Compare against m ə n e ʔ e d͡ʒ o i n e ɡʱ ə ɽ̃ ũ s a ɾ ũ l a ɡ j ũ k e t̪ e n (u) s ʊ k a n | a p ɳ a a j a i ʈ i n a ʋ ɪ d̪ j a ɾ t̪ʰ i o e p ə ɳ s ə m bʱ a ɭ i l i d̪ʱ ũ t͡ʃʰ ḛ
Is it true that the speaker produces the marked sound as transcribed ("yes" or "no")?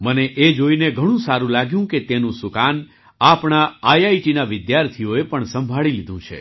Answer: no